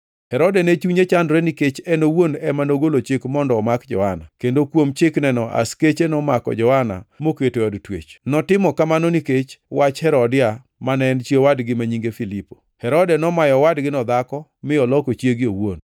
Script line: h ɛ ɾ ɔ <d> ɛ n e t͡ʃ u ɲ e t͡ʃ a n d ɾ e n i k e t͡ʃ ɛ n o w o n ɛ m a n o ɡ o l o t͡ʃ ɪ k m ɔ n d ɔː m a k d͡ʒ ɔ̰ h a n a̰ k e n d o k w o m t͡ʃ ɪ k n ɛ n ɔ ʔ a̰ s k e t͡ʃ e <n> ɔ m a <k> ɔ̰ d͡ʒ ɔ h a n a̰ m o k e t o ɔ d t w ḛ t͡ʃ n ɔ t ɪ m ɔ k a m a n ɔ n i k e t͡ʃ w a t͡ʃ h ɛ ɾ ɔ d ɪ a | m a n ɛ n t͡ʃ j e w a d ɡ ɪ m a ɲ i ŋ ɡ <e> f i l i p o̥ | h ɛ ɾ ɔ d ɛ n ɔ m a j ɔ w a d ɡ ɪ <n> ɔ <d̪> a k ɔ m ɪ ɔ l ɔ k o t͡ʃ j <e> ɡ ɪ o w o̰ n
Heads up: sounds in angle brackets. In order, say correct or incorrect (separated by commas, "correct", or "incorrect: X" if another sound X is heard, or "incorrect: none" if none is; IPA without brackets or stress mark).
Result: correct, correct, correct, correct, correct, correct, correct